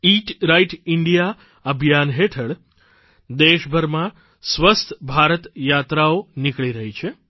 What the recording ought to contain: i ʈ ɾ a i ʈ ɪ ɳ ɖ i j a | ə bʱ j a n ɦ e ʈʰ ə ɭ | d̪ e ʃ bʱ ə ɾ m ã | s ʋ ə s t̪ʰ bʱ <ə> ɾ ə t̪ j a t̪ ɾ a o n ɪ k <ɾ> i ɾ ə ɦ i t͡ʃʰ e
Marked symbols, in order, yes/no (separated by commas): no, no